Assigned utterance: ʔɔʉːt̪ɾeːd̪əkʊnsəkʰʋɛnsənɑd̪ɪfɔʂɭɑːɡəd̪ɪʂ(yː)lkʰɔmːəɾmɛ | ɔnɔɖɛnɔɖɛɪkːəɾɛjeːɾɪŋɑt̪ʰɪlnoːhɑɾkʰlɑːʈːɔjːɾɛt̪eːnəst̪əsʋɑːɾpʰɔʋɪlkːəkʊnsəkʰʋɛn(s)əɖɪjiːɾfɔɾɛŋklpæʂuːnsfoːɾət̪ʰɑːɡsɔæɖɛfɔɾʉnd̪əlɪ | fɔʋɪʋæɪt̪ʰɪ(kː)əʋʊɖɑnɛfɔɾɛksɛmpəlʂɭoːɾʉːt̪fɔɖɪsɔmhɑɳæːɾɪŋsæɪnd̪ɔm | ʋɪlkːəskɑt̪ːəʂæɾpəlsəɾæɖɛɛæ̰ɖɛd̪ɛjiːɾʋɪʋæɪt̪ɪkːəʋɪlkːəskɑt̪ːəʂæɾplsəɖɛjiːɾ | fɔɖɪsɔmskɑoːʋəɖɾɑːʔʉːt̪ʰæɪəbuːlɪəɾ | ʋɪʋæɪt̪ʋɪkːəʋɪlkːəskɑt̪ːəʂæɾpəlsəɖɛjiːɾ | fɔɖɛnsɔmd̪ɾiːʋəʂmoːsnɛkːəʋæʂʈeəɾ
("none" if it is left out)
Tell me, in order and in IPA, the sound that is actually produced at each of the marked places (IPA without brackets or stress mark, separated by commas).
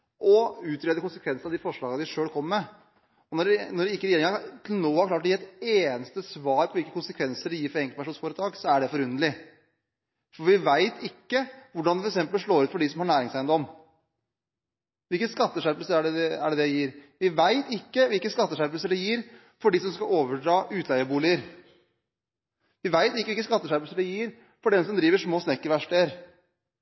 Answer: øː, s, kː